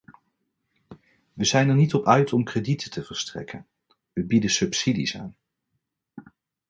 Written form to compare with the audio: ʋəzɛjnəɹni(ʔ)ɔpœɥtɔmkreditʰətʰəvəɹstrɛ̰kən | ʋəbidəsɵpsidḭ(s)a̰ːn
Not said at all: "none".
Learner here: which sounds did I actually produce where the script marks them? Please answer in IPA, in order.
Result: t, s

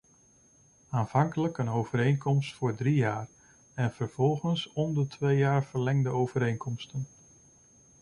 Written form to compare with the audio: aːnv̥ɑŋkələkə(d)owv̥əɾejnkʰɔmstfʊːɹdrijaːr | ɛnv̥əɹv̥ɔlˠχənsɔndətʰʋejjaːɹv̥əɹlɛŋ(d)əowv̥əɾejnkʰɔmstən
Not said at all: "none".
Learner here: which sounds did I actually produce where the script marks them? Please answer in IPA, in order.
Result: n, d

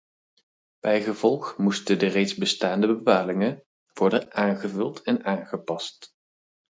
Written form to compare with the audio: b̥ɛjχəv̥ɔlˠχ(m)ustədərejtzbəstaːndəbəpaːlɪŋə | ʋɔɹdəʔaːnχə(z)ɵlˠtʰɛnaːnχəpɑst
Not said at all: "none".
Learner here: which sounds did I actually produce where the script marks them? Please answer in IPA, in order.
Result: m, v

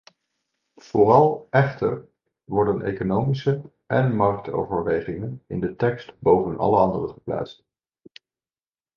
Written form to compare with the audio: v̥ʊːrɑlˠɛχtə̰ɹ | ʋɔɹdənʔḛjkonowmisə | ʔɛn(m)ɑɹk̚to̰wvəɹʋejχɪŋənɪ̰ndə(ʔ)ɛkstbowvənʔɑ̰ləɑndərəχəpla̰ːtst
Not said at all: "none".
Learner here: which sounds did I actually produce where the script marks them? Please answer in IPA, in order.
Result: m, t

